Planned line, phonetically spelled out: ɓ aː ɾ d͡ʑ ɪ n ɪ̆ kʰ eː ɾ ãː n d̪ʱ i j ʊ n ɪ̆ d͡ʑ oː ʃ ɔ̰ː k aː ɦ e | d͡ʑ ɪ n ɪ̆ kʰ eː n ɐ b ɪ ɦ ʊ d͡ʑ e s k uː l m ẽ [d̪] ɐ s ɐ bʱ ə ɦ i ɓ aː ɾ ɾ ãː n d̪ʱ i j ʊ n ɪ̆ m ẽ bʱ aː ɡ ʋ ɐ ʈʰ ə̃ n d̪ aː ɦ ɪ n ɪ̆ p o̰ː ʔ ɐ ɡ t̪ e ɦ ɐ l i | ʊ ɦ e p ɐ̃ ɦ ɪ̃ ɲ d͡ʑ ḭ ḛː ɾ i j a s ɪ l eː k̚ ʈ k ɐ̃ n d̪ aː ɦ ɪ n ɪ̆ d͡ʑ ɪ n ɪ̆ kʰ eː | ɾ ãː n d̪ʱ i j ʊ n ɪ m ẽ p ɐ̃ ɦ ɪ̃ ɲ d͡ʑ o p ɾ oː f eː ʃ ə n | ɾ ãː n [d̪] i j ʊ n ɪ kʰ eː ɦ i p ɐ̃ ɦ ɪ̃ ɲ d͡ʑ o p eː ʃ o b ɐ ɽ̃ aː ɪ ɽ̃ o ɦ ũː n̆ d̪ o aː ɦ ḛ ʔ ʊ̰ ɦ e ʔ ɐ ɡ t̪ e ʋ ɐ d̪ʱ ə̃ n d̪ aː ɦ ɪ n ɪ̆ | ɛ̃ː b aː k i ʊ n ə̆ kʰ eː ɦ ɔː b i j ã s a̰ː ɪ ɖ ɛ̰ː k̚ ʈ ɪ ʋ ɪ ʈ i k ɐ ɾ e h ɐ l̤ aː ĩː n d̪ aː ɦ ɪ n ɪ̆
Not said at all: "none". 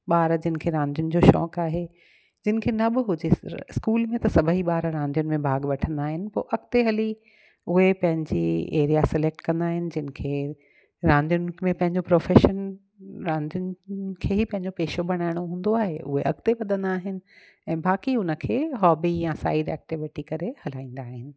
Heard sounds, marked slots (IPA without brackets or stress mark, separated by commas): t̪, d̪